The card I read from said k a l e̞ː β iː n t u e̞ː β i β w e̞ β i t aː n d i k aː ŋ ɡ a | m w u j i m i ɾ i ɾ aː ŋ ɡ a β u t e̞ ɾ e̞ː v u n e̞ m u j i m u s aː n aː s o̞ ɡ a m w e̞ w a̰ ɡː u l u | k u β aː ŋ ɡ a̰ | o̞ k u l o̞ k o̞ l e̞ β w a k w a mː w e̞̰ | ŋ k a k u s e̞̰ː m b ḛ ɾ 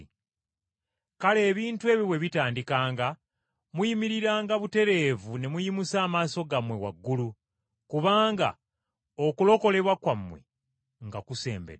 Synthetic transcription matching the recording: k a l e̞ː β iː n t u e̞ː β i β w e̞ β i t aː n d i k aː ŋ ɡ a | m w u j i m i ɾ i ɾ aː ŋ ɡ a β u t e̞ ɾ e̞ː v u n e̞ m u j i m u s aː m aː s o̞ ɡ a m w e̞ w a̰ ɡː u l u | k u β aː ŋ ɡ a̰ | o̞ k u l o̞ k o̞ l e̞ β w a k w a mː w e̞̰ | ŋ ɡ a k u s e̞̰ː m b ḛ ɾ